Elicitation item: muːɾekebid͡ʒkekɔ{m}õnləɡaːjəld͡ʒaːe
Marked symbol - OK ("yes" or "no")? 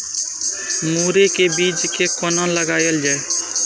no